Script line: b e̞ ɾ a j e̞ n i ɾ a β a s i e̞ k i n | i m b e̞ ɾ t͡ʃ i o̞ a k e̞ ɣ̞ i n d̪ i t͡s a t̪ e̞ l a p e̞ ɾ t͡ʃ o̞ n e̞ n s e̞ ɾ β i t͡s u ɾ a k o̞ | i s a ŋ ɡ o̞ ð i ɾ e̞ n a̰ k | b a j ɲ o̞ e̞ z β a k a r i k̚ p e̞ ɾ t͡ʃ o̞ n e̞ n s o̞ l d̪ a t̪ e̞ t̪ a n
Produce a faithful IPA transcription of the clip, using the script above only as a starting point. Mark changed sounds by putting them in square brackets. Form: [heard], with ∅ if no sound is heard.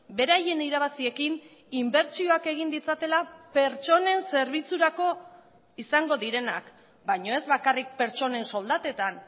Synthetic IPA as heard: b e̞ ɾ a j e̞ n i ɾ a β a s i e̞ k i n | i m b e̞ ɾ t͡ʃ i o̞ a k e̞ ɣ̞ i n d̪ i t͡s a t̪ e̞ l a p e̞ ɾ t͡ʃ o̞ n e̞ n s e̞ ɾ β i t͡s u ɾ a k o̞ | i s a ŋ ɡ o̞ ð i ɾ e̞ n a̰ k | b a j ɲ o̞ e̞ z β a k a r i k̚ p e̞ ɾ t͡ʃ o̞ n e̞ n s o̞ l d̪ a t̪ e̞ t̪ a n

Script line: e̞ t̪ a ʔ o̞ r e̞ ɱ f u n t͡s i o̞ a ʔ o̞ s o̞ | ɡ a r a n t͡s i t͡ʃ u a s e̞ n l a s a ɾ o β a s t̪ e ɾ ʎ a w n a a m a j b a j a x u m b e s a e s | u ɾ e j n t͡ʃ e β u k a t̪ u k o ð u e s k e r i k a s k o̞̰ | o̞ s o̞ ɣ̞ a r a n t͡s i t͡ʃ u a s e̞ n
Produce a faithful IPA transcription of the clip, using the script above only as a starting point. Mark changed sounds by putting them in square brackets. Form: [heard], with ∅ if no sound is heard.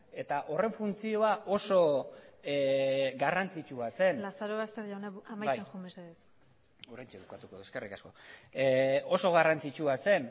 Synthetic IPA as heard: e̞ t̪ a ʔ o̞ r e̞ ɱ f u n t͡s i o̞ a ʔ o̞ s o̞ | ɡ a r a n t͡s i t͡ʃ u a s e̞ n l a s a ɾ o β a s t̪ e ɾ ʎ a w n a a m a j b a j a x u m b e s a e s | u ɾ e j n t͡ʃ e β u k a t̪ u k o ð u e s k e r i k a s k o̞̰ | o̞ s o̞ ɣ̞ a r a n t͡s i t͡ʃ u a s e̞ n

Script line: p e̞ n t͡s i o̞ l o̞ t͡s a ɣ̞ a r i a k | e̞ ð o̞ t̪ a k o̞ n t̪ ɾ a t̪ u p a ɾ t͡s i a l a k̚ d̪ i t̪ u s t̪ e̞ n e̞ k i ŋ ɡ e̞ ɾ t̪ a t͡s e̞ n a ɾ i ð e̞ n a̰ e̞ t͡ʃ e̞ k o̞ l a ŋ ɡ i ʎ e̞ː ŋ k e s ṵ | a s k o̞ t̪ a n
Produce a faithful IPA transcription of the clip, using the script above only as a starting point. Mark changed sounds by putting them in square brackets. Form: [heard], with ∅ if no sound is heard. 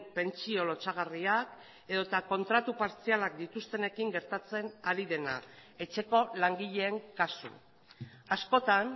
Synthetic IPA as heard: p e̞ n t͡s i o̞ l o̞ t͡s a ɣ̞ a r i a k | e̞ ð o̞ t̪ a k o̞ n t̪ ɾ a t̪ u p a ɾ t͡s i a l a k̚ d̪ i t̪ u s t̪ e̞ n e̞ k i ŋ ɡ e̞ ɾ t̪ a t͡s e̞ n a ɾ i ð e̞ n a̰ e̞ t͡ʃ e̞ k o̞ l a ŋ ɡ i ʎ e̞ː ŋ k [a] s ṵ | a s k o̞ t̪ a n

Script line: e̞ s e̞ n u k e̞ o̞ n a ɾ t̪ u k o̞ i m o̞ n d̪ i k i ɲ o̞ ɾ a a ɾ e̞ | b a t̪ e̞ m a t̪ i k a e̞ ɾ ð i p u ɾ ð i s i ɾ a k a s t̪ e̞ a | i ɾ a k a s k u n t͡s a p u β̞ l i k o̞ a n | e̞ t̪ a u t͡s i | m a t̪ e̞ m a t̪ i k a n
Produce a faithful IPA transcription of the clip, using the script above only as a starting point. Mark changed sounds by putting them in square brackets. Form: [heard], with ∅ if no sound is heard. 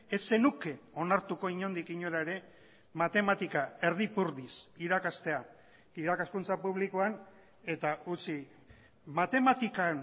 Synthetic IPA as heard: e̞ s e̞ n u k e̞ o̞ n a ɾ t̪ u k o̞ i [ɲ] o̞ n d̪ i k i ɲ o̞ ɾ a [e] ɾ e̞ | [m] a t̪ e̞ m a t̪ i k a e̞ ɾ ð i p u ɾ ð i s i ɾ a k a s t̪ e̞ a | i ɾ a k a s k u n t͡s a p u β̞ l i k o̞ a n | e̞ t̪ a u t͡s i | m a t̪ e̞ m a t̪ i k a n

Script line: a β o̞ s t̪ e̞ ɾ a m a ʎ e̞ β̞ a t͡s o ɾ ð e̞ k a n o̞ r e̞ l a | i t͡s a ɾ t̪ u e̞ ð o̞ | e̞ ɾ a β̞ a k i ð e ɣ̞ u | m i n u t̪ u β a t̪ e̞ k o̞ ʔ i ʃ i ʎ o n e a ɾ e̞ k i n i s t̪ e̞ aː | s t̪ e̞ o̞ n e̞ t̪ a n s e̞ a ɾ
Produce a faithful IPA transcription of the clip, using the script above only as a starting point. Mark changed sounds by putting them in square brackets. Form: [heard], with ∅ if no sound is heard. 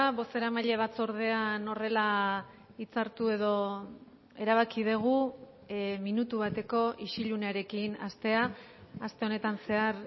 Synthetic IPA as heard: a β o̞ s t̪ e̞ ɾ a m a ʎ e̞ β̞ a t͡s o ɾ ð e̞ [∅] a n o̞ r e̞ l a | i t͡s a ɾ t̪ u e̞ ð o̞ | e̞ ɾ a β̞ a k i ð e ɣ̞ u | m i n u t̪ u β a t̪ e̞ k o̞ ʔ i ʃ i ʎ [u] n e a ɾ e̞ k i n [a] s t̪ e̞ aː | s t̪ e̞ o̞ n e̞ t̪ a n s e̞ a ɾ

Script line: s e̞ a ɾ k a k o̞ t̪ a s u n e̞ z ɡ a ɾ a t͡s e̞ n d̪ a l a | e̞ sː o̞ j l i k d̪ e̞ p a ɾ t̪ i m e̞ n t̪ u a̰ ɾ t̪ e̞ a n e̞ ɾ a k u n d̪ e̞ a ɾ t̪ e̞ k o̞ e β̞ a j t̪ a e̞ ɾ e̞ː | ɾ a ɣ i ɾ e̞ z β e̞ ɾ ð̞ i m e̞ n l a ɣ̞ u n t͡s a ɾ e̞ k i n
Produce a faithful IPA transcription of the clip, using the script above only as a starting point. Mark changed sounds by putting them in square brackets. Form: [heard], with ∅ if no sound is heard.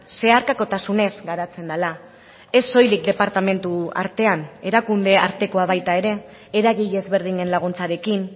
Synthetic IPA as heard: s e̞ a ɾ k a k o̞ t̪ a s u n e̞ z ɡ a ɾ a t͡s e̞ n d̪ a l a | e̞ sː o̞ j l i k d̪ e̞ p a ɾ t̪ [a] m e̞ n t̪ u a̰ ɾ t̪ e̞ a n e̞ ɾ a k u n d̪ e̞ a ɾ t̪ e̞ k o̞ [a] β̞ a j t̪ a e̞ ɾ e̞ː | ɾ a ɣ i [ʎ] e̞ z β e̞ ɾ ð̞ i [ɲ] e̞ n l a ɣ̞ u n t͡s a ɾ e̞ k i n

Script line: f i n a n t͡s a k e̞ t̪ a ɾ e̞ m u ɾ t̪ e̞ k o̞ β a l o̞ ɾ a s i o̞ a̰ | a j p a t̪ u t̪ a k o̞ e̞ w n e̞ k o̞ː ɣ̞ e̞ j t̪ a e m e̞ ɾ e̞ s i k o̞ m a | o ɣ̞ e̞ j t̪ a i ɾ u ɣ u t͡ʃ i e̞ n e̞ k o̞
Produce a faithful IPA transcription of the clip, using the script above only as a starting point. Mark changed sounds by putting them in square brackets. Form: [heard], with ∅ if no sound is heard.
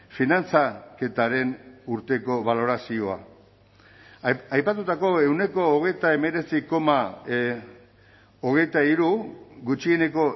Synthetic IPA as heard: f i n a n t͡s a k e̞ t̪ a ɾ e̞ [n] u ɾ t̪ e̞ k o̞ β a l o̞ ɾ a s i o̞ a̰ | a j p a t̪ u t̪ a k o̞ e̞ w n e̞ k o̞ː ɣ̞ e̞ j t̪ a e m e̞ ɾ e̞ [t͡s] i k o̞ m a | o ɣ̞ e̞ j t̪ a i ɾ u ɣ u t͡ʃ i e̞ n e̞ k o̞

